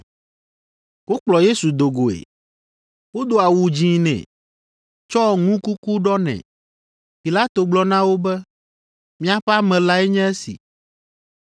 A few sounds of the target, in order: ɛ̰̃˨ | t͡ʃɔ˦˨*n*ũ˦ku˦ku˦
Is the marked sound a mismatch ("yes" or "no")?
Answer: yes